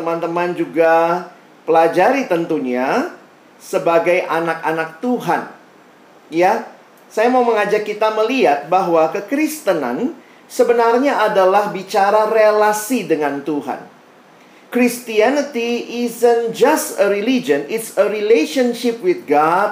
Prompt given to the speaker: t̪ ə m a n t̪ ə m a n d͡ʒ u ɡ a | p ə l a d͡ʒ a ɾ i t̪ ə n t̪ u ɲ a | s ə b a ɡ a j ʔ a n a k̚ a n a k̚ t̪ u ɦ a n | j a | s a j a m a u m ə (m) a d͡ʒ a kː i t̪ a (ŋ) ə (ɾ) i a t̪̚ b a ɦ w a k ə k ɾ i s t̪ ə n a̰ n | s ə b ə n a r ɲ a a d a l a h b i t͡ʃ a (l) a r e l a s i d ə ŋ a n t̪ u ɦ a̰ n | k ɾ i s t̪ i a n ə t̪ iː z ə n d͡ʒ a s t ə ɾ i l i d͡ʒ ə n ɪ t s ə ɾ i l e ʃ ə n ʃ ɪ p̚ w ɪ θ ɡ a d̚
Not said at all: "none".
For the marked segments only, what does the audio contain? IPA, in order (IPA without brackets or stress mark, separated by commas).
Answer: ŋ, m, l, ɾ